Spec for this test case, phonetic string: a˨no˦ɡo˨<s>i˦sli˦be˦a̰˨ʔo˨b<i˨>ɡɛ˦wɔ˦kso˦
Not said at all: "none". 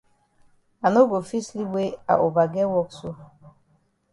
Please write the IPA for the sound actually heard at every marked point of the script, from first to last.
f, a˨

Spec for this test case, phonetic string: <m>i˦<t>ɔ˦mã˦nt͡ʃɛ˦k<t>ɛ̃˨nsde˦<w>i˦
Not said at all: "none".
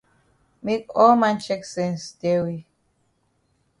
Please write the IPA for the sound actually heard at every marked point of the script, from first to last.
m, k, s, w

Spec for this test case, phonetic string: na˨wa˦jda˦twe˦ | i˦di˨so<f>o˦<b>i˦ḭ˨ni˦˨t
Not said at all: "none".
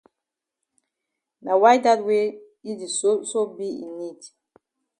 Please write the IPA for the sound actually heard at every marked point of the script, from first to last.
s, b

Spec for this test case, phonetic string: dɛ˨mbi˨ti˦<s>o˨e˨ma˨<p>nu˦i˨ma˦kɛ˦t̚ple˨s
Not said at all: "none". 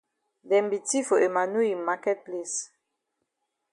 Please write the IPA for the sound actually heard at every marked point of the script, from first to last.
f, none

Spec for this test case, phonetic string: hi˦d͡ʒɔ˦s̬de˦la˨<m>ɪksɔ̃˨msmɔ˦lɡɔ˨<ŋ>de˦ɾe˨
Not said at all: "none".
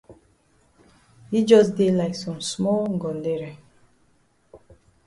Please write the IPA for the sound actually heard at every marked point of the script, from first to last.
none, n

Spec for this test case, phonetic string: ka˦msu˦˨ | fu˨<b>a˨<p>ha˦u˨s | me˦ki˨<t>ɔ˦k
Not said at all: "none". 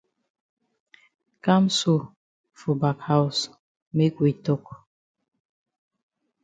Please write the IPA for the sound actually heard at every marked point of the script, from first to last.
b, k, t

